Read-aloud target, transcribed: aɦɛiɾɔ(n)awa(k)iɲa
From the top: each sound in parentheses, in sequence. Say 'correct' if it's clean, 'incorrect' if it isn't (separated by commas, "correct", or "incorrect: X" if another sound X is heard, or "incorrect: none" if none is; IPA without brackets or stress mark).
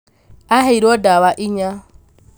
incorrect: d, incorrect: ʔ